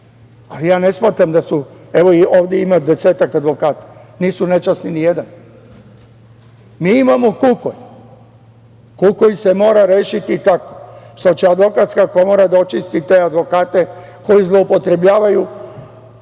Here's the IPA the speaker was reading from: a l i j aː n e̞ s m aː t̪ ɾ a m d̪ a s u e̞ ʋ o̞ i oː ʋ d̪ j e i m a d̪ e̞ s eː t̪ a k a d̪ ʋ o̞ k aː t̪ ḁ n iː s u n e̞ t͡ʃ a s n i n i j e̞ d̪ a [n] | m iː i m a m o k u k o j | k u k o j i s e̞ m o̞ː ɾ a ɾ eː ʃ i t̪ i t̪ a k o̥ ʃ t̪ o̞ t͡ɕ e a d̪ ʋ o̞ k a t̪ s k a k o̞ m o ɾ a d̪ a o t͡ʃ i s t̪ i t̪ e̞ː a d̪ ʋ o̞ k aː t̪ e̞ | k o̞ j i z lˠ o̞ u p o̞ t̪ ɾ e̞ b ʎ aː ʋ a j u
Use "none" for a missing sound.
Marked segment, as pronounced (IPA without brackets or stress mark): n